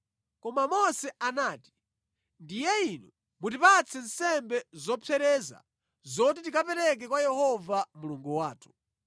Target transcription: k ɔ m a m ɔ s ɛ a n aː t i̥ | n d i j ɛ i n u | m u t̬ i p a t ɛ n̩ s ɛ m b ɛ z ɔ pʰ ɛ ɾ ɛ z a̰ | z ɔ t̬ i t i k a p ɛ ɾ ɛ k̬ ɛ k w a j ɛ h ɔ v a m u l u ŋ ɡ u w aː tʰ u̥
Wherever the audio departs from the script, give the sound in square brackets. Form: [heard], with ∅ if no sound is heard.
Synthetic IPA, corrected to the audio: k ɔ m a m ɔ s ɛ a n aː t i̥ | n d i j ɛ i n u | m u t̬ i p a [t͡sʰ] ɛ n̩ s ɛ m b ɛ z ɔ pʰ ɛ ɾ ɛ z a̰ | z ɔ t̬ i t i k a p ɛ ɾ ɛ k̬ ɛ k w a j ɛ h ɔ v a m u l u ŋ ɡ u w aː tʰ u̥